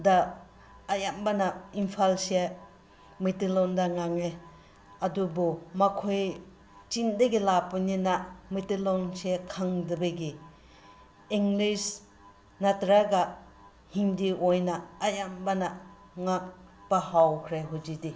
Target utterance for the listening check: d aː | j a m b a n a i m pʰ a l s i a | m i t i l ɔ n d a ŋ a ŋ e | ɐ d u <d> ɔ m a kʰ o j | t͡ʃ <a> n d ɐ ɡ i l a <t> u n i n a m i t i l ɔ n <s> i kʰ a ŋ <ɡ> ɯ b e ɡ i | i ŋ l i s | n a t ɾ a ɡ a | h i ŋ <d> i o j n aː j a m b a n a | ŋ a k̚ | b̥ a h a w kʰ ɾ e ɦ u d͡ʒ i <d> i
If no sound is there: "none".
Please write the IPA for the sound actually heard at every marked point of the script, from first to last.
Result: b, i, p, s, d, d, d

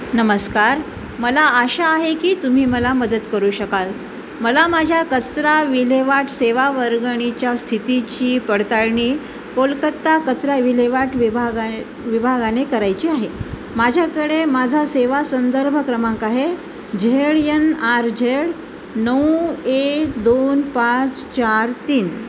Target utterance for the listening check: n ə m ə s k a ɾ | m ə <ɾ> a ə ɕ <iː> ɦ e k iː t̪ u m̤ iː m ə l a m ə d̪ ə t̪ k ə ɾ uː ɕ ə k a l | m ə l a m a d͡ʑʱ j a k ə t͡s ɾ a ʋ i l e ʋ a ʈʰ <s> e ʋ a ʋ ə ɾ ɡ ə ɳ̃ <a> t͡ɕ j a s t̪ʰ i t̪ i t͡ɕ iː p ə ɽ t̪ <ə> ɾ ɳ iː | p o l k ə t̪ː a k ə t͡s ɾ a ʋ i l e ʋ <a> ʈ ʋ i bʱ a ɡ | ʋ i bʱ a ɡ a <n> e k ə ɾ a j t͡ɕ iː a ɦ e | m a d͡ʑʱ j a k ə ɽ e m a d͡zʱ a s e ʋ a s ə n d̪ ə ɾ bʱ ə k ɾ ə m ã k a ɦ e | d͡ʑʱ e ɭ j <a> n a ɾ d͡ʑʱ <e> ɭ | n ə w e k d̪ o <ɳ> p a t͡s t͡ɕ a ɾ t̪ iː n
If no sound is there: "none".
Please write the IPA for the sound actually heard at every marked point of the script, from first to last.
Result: l, aː, s, i, a, a, n, ə, e, n

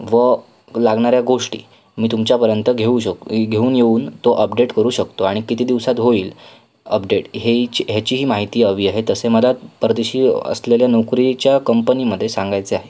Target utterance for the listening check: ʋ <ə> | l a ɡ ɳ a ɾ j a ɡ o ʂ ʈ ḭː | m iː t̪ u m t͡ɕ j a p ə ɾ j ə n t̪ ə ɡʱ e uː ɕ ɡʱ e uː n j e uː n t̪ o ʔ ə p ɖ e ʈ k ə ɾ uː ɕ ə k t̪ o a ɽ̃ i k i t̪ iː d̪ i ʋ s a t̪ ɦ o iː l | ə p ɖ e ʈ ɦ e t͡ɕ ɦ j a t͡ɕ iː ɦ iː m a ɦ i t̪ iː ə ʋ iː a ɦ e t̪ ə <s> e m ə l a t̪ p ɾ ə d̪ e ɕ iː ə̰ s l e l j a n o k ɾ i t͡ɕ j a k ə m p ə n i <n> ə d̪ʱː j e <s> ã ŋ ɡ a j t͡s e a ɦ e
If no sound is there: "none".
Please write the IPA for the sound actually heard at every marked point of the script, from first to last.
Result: ə, s, m, s

